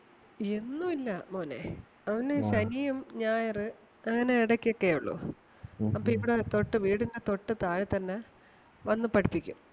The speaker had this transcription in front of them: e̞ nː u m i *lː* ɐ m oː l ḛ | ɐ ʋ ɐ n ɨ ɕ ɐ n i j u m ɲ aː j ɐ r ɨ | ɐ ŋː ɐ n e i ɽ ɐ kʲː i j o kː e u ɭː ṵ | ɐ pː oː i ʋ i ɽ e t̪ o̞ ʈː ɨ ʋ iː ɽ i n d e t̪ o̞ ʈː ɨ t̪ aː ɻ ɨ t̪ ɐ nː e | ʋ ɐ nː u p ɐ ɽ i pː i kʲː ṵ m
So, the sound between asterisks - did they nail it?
yes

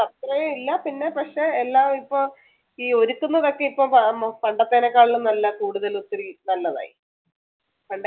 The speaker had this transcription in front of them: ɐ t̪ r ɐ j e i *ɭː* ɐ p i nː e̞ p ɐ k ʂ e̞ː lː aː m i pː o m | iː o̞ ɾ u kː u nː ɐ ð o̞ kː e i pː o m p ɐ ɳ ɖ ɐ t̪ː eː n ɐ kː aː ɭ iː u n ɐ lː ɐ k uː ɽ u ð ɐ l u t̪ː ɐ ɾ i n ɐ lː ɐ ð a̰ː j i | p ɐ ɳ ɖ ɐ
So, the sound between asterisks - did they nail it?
no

